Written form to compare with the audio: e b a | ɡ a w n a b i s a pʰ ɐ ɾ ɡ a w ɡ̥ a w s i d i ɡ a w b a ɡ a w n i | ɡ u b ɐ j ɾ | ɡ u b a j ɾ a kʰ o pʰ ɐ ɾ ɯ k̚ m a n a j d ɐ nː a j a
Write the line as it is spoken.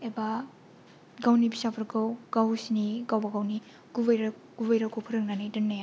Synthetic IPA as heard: e b a | ɡ a w n i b i s a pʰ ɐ ɾ ɡ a w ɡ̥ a w s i n i ɡ a w b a ɡ a w n i | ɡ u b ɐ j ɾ | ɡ u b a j ɾ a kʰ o pʰ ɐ ɾ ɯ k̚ n a n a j d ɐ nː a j a